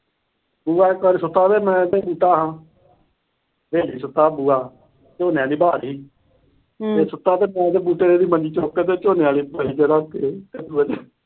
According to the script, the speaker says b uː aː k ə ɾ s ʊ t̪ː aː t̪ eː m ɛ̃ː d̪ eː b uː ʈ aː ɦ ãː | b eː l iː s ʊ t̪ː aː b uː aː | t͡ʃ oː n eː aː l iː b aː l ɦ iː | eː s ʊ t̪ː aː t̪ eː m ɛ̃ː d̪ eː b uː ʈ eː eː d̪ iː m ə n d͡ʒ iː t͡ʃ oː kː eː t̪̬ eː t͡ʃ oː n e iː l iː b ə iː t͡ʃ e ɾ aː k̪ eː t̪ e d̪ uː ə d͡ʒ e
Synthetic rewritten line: b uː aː k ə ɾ s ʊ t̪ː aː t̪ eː m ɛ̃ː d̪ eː b uː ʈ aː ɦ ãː | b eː l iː s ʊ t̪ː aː b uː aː | t͡ʃ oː n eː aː l iː b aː ɾ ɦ iː | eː s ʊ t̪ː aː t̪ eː m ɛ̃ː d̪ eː b uː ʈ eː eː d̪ iː m ə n d͡ʒ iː t͡ʃ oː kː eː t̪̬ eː t͡ʃ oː n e aː l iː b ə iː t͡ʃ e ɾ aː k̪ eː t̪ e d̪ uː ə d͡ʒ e